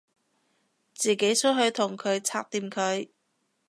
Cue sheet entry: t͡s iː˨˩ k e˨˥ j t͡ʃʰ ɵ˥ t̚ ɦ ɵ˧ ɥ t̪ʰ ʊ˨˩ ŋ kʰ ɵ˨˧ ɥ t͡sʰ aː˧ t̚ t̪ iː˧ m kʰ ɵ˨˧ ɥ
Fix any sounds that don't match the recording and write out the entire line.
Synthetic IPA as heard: t͡s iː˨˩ k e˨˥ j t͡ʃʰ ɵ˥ t̚ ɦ ɵ˧ ɥ t̪ʰ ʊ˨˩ ŋ kʰ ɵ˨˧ ɥ t͡sʰ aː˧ k̚ t̪ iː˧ m kʰ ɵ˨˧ ɥ